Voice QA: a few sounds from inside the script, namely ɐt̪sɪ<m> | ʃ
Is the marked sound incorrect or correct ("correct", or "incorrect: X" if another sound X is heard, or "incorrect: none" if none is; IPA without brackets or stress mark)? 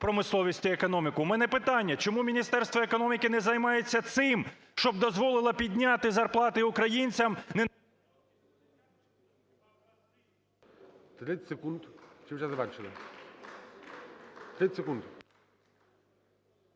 correct